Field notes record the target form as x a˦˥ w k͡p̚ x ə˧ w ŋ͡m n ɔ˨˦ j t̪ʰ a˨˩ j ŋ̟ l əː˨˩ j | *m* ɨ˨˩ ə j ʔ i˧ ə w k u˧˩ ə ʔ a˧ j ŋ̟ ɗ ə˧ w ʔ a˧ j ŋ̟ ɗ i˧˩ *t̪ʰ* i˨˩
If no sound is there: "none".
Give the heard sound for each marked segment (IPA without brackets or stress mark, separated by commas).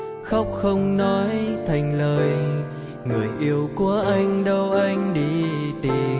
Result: ŋ, t̪